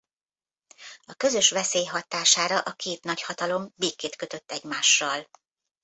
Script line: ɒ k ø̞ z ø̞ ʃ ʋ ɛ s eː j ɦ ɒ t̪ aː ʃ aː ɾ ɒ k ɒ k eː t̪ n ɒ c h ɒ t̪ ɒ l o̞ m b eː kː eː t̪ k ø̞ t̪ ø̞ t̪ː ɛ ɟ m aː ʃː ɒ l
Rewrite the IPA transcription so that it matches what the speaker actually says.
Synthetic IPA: ɒ k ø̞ z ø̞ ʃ ʋ ɛ s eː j ɦ ɒ t̪ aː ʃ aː ɾ ɒ ʔ ɒ k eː t̪ n ɒ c h ɒ t̪ ɒ l o̞ m b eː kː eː t̪ k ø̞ t̪ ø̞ t̪ː ɛ ɟ m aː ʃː ɒ l